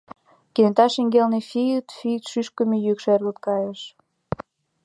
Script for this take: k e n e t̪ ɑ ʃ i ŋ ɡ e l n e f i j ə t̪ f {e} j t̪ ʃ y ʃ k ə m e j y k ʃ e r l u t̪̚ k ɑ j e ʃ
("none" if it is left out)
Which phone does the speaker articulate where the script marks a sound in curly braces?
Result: i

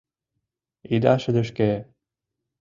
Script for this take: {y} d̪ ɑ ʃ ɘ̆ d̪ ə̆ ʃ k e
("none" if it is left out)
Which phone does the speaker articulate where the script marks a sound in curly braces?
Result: i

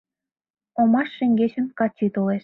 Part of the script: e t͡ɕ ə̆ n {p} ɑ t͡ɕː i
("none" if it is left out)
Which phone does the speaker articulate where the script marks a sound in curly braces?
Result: k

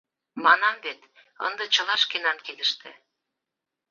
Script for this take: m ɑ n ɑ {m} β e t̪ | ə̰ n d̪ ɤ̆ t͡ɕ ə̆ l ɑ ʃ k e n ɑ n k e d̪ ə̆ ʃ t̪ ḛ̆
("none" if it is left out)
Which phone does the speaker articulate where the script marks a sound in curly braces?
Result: m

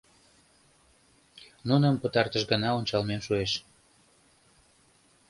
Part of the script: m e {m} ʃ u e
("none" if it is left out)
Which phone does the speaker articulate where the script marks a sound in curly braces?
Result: m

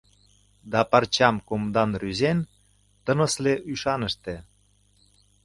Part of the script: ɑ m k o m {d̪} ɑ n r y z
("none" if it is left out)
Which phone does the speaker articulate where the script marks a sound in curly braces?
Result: d̪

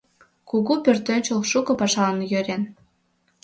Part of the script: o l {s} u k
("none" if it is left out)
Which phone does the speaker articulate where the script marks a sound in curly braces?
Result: ʃ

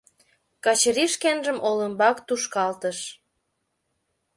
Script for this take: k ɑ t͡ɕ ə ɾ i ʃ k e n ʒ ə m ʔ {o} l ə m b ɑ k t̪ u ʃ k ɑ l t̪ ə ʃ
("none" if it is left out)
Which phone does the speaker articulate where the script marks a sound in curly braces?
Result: o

